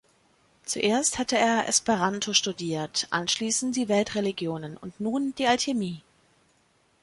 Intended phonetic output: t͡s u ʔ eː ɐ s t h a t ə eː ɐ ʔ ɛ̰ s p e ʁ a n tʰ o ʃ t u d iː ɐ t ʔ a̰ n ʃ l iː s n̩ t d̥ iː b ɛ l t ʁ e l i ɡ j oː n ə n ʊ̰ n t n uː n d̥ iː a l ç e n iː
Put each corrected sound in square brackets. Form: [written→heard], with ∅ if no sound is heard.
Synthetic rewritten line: t͡s u ʔ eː ɐ s t h a t ə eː ɐ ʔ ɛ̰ s p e ʁ a n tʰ o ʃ t u d iː ɐ t ʔ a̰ n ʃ l iː s n̩ t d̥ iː [b→v] ɛ l t ʁ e l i ɡ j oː n ə n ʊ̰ n t n uː n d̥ iː a l ç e [n→m] iː